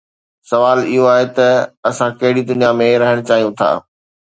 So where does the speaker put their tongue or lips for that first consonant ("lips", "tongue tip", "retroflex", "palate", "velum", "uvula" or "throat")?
tongue tip